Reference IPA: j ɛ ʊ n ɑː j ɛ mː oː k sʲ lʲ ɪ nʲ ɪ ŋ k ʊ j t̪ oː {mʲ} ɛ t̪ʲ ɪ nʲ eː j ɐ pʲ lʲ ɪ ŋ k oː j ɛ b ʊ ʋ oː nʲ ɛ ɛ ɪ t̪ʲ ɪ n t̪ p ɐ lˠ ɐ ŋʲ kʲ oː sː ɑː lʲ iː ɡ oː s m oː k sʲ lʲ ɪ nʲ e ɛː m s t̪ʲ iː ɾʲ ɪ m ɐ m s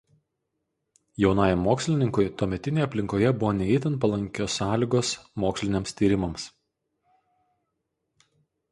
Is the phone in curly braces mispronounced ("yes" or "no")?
no